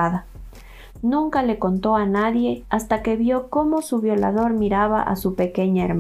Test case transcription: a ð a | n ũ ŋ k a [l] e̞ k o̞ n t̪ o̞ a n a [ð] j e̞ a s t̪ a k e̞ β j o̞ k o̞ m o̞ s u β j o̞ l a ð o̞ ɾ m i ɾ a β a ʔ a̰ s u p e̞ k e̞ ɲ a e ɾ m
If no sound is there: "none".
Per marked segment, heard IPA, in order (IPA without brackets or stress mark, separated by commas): l, ð